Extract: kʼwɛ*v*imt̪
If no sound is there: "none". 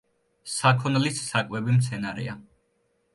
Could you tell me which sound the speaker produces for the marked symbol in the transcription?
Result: b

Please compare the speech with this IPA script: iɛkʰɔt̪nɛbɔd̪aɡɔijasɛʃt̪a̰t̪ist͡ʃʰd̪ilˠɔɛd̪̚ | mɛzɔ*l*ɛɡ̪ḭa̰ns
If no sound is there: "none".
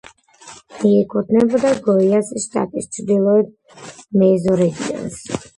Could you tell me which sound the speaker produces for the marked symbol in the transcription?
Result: ɾ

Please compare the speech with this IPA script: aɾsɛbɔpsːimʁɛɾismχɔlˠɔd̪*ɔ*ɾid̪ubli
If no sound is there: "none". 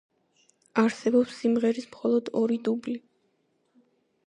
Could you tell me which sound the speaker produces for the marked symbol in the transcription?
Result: ɔ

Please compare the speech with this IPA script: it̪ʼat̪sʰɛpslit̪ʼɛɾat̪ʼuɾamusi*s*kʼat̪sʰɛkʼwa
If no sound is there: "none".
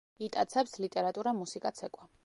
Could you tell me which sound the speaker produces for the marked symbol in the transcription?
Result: none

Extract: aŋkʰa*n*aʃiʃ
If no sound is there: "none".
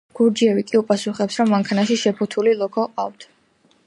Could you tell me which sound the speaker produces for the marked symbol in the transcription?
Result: n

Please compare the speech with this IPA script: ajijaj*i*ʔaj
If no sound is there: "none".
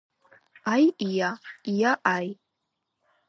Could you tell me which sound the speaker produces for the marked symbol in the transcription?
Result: a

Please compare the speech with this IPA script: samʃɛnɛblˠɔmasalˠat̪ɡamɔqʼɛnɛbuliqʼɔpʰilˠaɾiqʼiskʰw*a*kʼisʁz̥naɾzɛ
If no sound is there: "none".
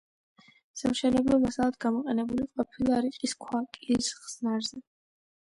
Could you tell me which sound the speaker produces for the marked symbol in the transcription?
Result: a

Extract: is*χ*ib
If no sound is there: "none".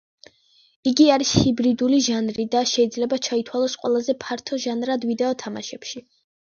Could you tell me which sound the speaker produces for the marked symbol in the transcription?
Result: h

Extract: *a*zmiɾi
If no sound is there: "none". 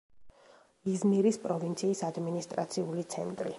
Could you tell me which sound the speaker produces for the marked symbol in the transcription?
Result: i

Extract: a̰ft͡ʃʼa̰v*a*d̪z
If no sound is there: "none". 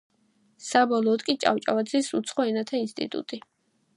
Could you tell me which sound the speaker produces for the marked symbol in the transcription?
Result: a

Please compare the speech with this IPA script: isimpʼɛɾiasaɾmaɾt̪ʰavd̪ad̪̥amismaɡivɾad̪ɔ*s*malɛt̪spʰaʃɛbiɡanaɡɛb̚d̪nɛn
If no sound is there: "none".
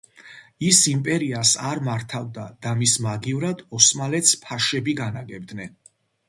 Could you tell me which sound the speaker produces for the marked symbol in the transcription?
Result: s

